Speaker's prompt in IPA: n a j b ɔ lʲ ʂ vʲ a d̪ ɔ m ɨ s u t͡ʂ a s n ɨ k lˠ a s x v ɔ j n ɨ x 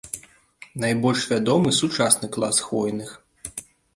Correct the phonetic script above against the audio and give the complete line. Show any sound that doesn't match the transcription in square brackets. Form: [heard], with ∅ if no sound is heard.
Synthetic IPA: n a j b ɔ lʲ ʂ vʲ a d̪ ɔ m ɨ s u t͡ʂ a s n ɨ k lˠ a s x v ɔ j n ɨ x

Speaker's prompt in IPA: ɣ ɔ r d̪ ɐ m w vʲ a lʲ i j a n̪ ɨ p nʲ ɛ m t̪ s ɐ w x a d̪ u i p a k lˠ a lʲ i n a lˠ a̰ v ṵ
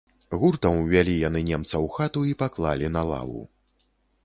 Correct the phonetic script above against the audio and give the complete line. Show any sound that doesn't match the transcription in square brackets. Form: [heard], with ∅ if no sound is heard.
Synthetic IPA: ɣ [u] r [t̪] ɐ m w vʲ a lʲ i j a n̪ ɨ [∅] nʲ ɛ m t̪ s ɐ w x a [t̪] u i p a k lˠ a lʲ i n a lˠ a̰ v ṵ

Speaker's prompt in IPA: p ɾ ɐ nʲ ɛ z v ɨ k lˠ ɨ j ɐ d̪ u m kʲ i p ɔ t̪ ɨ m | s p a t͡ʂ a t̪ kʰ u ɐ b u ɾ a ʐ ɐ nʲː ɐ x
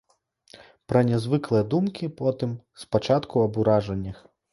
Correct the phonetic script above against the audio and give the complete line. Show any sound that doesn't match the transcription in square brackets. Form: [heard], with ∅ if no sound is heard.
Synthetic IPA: p ɾ ɐ nʲ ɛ z v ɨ k lˠ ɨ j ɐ d̪ u m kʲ i p ɔ t̪ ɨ m | s p a t͡ʂ a t̪ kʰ u ɐ b u ɾ a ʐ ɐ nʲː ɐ x

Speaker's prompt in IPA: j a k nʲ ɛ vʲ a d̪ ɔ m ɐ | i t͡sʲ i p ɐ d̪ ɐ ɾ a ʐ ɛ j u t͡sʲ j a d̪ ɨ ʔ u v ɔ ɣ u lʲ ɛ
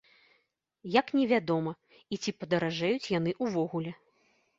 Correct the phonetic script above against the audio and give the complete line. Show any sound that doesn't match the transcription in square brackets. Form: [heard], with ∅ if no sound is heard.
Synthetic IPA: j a k nʲ ɛ vʲ a d̪ ɔ m ɐ | i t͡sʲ i p ɐ d̪ ɐ ɾ a ʐ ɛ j u t͡sʲ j a [n̪] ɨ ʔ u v ɔ ɣ u lʲ ɛ

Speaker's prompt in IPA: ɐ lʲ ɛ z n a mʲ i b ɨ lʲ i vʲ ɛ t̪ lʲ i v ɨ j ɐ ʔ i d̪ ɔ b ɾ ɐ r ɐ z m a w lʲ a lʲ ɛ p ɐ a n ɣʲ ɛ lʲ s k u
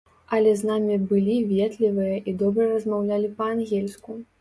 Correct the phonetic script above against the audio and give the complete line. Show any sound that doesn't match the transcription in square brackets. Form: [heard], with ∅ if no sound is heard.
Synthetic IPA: ɐ lʲ ɛ z n a mʲ i b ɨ lʲ i vʲ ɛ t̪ lʲ i v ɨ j ɐ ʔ i d̪ ɔ b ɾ ɐ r ɐ z m a w lʲ a lʲ [i] p ɐ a n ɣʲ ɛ lʲ s k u

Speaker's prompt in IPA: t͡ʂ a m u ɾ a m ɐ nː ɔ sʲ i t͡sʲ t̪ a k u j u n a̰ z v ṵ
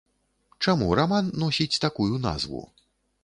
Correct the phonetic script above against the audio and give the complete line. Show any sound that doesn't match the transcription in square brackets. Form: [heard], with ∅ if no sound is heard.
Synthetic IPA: t͡ʂ a m u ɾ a m [a] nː ɔ sʲ i t͡sʲ t̪ a k u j u n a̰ z v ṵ

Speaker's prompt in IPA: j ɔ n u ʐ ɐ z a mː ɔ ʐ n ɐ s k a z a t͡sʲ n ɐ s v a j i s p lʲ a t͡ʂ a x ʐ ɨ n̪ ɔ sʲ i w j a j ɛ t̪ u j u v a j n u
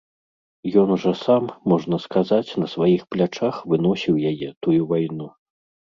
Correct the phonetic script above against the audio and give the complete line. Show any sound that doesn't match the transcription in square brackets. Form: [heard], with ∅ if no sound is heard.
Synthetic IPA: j ɔ n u ʐ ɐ [s] a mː ɔ ʐ n ɐ s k a z a t͡sʲ n ɐ s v a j i [x] p lʲ a t͡ʂ a x [v] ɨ n̪ ɔ sʲ i w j a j ɛ t̪ u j u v a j n u

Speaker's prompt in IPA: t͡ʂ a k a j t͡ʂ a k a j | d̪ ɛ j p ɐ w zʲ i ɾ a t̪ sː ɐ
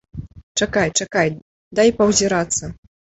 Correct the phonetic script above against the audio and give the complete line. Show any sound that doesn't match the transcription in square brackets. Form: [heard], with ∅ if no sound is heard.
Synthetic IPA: t͡ʂ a k a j t͡ʂ a k a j | d̪ [a] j p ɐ w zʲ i ɾ a t̪ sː ɐ

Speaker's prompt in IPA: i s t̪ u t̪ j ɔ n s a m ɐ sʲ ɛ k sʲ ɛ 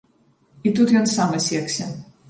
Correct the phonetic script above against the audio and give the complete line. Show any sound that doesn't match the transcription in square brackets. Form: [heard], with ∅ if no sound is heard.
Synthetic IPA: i [∅] t̪ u t̪ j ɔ n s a m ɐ sʲ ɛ k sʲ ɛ

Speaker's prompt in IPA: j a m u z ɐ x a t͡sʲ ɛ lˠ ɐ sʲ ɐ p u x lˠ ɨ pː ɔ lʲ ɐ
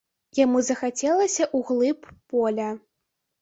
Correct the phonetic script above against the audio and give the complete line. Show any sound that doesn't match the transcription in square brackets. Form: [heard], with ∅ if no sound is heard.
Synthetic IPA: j a m u z ɐ x a t͡sʲ ɛ lˠ ɐ sʲ ɐ [ʔ] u [ɣ] lˠ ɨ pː ɔ lʲ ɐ

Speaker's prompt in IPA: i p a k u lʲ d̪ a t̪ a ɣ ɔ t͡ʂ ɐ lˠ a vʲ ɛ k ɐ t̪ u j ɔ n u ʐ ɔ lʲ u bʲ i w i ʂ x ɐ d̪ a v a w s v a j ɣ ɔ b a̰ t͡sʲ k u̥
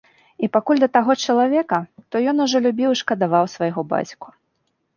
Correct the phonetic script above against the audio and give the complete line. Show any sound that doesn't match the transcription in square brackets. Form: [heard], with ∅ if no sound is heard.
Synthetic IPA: i p a k u lʲ d̪ [ɐ] t̪ a ɣ ɔ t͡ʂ ɐ lˠ a vʲ ɛ k ɐ t̪ [ɔ] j ɔ n u ʐ ɔ lʲ u bʲ i w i ʂ [k] ɐ d̪ a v a w s v a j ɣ ɔ b a̰ t͡sʲ k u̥

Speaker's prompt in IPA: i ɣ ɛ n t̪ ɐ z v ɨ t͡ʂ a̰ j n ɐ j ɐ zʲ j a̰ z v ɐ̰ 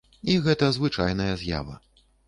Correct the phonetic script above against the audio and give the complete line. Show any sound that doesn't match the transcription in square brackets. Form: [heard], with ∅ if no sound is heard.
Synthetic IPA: i ɣ ɛ [∅] t̪ ɐ z v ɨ t͡ʂ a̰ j n ɐ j ɐ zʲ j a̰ [∅] v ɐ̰

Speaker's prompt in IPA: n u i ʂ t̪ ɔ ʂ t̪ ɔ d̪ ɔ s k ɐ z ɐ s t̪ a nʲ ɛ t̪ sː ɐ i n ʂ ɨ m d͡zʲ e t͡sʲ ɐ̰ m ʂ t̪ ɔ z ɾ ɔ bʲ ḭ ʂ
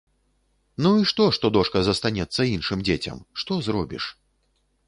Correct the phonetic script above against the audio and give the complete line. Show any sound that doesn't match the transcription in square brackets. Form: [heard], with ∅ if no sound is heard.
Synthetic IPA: n u i ʂ t̪ ɔ ʂ t̪ ɔ d̪ ɔ [ʂ] k ɐ z ɐ s t̪ a nʲ ɛ t̪ sː ɐ i n ʂ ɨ m d͡zʲ e t͡sʲ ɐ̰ m ʂ t̪ ɔ z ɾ ɔ bʲ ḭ ʂ

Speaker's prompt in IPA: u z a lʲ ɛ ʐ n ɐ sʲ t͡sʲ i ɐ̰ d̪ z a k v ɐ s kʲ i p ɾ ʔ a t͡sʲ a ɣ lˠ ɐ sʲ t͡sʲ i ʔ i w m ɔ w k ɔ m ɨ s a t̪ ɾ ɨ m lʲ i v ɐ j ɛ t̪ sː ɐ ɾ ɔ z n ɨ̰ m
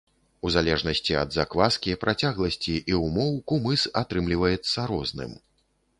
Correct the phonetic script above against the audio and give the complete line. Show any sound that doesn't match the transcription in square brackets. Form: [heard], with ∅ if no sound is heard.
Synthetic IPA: u z a lʲ ɛ ʐ n ɐ sʲ t͡sʲ i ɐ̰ d̪ z a k v [a] s kʲ i p ɾ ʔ a t͡sʲ a ɣ lˠ ɐ sʲ t͡sʲ i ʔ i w m ɔ w k [u] m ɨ s a t̪ ɾ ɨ m lʲ i v ɐ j ɛ t̪ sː ɐ ɾ ɔ z n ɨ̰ m

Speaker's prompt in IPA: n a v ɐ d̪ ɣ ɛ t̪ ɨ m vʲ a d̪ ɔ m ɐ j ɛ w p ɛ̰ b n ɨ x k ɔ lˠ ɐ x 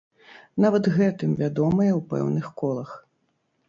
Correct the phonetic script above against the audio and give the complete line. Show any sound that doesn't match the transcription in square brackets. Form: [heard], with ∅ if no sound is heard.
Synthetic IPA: n a v ɐ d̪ ɣ ɛ t̪ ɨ m vʲ a d̪ ɔ m ɐ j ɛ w p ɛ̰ [w] n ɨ x k ɔ lˠ ɐ x

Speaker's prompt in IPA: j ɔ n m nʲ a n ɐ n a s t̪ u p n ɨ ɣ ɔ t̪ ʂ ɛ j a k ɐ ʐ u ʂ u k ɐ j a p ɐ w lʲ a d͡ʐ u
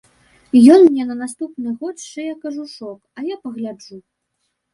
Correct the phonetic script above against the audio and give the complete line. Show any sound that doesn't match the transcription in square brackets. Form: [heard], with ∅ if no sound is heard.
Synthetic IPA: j ɔ n m nʲ [ɛ] n ɐ n a s t̪ u p n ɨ ɣ ɔ t̪ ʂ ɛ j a k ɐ ʐ u ʂ [ɔ] k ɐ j a p ɐ [ɣ] lʲ a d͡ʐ u

